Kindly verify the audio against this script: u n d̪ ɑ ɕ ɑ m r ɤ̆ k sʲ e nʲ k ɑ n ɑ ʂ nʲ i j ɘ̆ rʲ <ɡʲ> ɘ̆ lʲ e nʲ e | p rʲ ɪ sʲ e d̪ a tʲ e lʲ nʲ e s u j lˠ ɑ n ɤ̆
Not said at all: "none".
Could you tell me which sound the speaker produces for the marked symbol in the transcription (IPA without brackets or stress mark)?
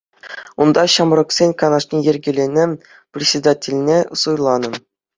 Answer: ɡʲ